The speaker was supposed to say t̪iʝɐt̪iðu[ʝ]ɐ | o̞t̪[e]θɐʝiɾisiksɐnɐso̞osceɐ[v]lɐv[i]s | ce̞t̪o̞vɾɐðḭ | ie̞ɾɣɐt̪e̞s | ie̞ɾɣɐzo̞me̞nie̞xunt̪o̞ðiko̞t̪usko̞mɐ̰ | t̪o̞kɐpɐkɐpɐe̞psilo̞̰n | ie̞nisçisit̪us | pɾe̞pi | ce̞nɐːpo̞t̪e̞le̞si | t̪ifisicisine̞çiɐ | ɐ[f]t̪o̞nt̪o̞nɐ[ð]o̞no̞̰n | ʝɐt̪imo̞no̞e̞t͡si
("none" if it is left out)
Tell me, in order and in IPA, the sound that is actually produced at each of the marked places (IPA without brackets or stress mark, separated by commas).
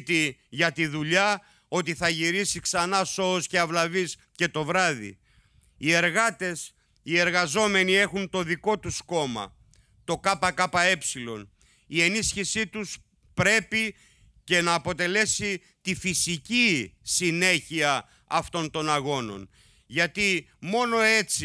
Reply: ʎ, i, v, i, f, ɣ